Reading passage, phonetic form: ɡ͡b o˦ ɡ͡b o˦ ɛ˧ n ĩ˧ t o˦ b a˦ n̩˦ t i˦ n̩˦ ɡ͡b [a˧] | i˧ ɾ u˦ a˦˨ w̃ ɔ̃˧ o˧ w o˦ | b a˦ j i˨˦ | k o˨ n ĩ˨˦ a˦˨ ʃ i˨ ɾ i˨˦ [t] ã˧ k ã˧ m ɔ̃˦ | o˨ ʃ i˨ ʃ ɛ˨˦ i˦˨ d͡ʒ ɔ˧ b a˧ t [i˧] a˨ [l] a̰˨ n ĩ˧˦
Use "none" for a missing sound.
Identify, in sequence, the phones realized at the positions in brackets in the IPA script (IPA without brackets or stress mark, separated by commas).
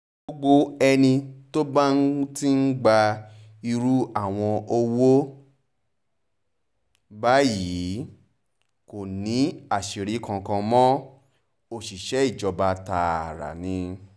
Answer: a˧, k, a˧, ɾ